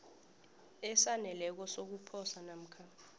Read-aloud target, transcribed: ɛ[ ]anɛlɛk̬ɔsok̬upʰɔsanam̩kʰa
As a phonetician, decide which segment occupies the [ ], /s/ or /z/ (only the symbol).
s